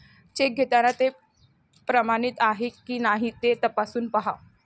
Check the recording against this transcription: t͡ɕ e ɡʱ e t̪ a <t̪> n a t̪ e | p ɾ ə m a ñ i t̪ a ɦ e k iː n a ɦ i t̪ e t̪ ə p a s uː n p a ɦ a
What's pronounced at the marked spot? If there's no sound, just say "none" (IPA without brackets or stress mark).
none